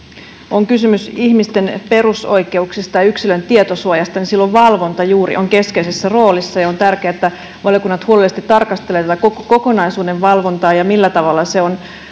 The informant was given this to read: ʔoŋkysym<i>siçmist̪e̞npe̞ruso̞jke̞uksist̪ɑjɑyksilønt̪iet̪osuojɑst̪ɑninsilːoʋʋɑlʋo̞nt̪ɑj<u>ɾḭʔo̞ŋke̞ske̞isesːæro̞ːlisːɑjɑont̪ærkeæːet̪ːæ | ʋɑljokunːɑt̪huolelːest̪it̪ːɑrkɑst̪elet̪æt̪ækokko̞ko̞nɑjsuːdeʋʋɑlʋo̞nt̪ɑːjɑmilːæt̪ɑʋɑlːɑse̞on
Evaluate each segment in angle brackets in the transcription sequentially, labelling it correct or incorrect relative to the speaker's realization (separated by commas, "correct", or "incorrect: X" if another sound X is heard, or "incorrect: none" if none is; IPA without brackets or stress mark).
incorrect: y, incorrect: uː